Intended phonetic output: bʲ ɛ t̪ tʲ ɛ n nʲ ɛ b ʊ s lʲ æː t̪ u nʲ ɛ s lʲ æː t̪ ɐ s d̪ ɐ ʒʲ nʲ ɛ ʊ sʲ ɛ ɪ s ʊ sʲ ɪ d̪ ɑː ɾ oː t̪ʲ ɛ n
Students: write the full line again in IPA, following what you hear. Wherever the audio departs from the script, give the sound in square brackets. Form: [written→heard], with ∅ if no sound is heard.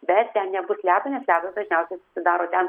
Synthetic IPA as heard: bʲ ɛ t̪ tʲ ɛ n nʲ ɛ b ʊ s lʲ æː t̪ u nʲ ɛ s lʲ æː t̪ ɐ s d̪ ɐ ʒʲ nʲ ɛ ʊ sʲ ɛ ɪ s ʊ sʲ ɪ d̪ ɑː ɾ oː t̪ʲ ɛ n